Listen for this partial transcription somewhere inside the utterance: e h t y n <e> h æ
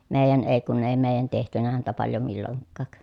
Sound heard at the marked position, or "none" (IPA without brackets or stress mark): æ